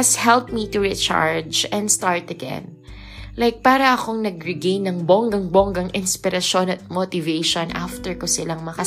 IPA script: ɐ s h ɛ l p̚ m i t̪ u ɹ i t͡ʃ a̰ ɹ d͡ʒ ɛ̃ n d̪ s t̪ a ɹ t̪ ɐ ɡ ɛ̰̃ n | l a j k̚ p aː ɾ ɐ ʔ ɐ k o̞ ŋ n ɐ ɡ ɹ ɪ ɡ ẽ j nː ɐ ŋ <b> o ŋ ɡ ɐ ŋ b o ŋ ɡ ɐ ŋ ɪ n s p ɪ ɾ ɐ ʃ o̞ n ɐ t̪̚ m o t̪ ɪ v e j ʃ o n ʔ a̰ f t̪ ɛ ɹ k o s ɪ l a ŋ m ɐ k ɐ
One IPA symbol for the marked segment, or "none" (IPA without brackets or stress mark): b